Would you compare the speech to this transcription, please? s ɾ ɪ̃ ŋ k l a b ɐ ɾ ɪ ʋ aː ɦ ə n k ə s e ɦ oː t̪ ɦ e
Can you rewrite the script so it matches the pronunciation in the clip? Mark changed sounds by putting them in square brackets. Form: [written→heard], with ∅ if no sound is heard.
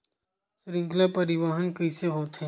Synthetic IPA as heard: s ɾ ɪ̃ ŋ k l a [b→p] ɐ ɾ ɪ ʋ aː ɦ ə n k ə s e ɦ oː t̪ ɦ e